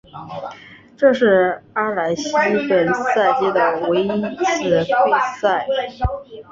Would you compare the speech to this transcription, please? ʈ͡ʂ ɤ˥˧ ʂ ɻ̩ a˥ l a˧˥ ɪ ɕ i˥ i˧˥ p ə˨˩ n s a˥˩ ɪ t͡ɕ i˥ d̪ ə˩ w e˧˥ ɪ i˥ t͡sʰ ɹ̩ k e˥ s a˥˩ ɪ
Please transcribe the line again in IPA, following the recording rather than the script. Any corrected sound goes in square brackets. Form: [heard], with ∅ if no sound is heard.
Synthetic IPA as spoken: ʈ͡ʂ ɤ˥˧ ʂ ɻ̩ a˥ l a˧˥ ɪ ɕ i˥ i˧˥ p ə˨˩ n s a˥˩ ɪ t͡ɕ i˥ d̪ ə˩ w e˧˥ ɪ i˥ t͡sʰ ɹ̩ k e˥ s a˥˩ ɪ

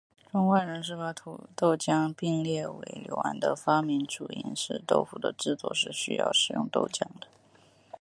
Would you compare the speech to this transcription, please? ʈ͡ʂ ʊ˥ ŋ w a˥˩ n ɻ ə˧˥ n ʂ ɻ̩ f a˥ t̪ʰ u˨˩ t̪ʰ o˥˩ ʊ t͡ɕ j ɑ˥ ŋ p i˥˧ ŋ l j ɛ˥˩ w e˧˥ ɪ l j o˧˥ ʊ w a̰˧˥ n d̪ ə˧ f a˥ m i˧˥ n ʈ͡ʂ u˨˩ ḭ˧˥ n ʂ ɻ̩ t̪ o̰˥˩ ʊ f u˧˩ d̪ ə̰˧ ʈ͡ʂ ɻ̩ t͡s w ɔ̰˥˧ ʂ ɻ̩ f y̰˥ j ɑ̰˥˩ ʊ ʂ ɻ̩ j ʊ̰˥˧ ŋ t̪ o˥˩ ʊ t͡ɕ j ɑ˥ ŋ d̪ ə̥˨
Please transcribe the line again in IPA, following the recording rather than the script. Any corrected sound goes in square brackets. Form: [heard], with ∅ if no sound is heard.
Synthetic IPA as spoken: ʈ͡ʂ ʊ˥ ŋ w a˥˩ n ɻ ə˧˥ n ʂ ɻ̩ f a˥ t̪ʰ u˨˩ [t̪] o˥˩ ʊ t͡ɕ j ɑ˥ ŋ p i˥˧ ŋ l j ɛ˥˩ w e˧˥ ɪ l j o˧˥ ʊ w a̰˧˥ n d̪ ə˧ f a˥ m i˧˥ n ʈ͡ʂ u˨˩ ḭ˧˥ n ʂ ɻ̩ t̪ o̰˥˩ ʊ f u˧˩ d̪ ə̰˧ ʈ͡ʂ ɻ̩ t͡s w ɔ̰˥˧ ʂ ɻ̩ [ɕ] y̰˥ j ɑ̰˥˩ ʊ ʂ ɻ̩ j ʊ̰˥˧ ŋ t̪ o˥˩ ʊ t͡ɕ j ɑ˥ ŋ d̪ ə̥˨

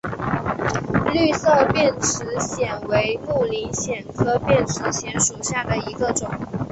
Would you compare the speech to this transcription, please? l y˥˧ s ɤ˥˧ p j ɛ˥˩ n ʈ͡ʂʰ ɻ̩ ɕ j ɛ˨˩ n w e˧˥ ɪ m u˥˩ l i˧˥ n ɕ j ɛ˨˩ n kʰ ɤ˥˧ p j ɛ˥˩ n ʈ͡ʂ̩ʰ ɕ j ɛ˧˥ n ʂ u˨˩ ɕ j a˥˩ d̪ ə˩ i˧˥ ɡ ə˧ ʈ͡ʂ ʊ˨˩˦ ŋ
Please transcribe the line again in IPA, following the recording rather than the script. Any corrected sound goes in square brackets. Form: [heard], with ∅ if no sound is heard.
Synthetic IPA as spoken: l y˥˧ s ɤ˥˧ p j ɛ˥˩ n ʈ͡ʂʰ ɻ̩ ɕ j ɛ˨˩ n w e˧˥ ɪ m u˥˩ l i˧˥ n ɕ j ɛ˨˩ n kʰ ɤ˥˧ p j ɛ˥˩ n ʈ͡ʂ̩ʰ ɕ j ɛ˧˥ n ʂ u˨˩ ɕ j a˥˩ d̪ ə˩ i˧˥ ɡ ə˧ ʈ͡ʂ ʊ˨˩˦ ŋ

